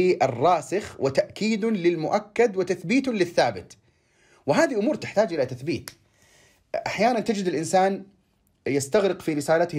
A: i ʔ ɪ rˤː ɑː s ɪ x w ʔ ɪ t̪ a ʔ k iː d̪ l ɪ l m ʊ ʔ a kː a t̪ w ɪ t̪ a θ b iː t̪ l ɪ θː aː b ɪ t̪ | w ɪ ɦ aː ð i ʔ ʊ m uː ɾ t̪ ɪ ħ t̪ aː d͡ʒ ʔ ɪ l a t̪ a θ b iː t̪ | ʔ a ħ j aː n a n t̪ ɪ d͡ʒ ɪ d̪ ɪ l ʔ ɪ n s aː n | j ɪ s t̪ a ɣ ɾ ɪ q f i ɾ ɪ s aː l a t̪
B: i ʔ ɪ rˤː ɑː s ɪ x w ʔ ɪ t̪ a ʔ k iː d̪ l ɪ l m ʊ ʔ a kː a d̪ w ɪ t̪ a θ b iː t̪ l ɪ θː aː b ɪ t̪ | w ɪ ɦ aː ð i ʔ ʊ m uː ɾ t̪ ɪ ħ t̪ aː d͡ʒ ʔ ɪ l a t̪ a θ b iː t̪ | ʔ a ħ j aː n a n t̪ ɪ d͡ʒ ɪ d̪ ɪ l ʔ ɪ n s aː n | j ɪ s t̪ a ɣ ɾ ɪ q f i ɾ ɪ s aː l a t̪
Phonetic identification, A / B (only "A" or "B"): B